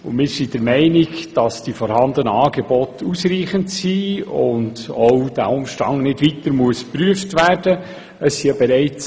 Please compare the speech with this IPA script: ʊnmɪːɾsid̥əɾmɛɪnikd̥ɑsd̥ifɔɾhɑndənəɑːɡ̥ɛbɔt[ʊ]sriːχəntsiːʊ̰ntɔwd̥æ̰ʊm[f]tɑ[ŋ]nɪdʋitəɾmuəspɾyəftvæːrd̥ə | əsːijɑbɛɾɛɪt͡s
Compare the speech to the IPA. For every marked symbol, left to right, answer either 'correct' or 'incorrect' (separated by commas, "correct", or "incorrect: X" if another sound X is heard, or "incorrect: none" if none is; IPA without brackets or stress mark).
incorrect: u, incorrect: ʃ, correct